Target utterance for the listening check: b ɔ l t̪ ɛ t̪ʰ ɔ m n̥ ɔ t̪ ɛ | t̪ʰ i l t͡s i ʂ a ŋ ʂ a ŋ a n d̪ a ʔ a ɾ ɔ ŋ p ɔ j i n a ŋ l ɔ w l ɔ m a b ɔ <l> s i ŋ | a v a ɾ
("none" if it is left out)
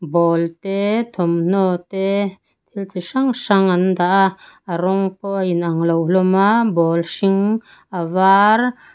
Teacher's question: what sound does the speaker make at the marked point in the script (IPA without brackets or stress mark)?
l